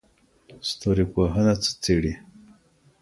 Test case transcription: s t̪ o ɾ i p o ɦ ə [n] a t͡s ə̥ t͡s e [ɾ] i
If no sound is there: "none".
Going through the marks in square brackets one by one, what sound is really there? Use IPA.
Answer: n, ɽ

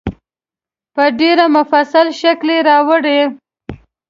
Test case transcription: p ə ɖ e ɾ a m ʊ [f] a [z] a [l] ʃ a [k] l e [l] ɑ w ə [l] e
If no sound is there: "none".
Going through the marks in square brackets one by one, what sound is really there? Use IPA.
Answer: f, s, l, k, ɾ, ɽ

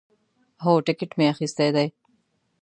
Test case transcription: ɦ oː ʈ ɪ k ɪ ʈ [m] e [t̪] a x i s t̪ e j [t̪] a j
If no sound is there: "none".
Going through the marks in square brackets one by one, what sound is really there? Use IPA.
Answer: m, none, d̪

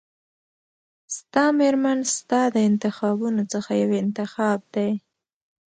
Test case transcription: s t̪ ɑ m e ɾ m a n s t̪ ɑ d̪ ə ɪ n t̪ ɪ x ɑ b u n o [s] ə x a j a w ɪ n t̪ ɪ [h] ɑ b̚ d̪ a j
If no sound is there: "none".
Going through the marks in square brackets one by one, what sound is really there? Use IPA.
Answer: t͡s, x

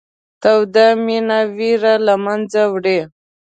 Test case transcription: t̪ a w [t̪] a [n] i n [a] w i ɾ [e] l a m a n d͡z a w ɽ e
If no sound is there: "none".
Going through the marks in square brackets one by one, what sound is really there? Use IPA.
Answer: d̪, m, a, a

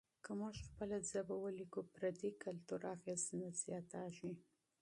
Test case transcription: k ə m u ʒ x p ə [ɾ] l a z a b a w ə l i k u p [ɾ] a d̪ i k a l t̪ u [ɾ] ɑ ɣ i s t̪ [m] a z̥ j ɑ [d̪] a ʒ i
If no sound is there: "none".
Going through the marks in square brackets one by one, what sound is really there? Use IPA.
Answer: none, ɾ, ɾ, n, t̪

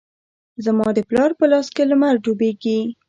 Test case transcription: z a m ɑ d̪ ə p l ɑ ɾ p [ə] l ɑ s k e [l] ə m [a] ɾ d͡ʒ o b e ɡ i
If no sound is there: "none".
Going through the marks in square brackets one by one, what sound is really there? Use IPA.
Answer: ə, l, a

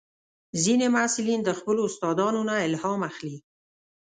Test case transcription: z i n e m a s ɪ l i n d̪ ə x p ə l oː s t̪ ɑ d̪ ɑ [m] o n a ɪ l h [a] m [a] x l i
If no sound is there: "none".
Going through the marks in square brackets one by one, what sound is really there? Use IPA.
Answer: n, ɑ, a

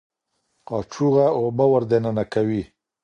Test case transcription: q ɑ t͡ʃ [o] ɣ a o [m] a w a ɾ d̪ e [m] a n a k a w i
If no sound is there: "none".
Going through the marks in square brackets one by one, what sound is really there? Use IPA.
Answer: u, b, n

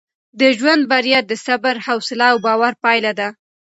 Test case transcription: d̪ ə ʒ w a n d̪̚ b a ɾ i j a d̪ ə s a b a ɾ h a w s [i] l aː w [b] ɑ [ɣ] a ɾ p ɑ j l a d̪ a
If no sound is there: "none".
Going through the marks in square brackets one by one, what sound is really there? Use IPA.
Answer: ɪ, b, w

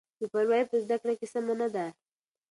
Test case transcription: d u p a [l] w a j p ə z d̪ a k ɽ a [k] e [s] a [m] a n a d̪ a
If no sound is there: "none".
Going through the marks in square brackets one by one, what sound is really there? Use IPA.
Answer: ɾ, k, s, m

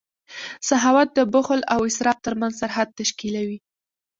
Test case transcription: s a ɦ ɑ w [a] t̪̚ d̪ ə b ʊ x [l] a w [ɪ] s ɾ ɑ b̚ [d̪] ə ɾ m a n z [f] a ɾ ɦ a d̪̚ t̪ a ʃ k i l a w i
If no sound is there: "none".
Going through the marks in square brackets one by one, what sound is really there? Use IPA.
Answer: a, l, ɪ, t̪, s

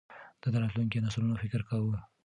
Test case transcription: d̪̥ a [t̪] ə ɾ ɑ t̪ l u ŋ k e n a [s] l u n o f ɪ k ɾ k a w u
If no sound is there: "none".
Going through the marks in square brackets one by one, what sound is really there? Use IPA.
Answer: d̪, s

